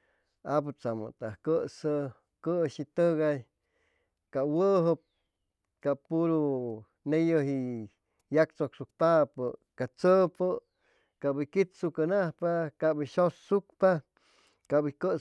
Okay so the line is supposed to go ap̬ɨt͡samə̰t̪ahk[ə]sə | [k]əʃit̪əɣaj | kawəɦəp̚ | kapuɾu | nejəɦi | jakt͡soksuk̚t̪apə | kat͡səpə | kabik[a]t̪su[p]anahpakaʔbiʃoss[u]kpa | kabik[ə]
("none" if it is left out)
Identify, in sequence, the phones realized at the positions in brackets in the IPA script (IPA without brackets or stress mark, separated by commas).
ə, k, i, k, u, ə